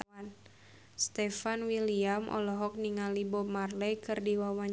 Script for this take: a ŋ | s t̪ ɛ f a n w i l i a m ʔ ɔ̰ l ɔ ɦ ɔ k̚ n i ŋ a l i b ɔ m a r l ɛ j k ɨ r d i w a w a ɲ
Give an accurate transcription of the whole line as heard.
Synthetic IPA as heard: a n | s t̪ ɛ f a n w i l i a m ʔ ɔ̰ l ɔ ɦ ɔ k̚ n i ŋ a l i b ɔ m a r l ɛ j k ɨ r d i w a w a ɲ